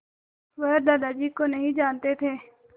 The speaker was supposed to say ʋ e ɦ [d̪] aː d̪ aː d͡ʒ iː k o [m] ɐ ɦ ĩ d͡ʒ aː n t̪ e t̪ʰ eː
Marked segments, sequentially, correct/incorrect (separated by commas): correct, incorrect